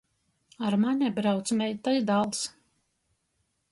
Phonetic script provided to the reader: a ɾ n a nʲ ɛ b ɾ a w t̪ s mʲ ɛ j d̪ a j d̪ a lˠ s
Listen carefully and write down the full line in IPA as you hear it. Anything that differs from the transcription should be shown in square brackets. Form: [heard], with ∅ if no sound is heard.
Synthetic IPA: a ɾ [m] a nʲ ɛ b ɾ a w t̪ s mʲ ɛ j [t̪] a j d̪ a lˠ s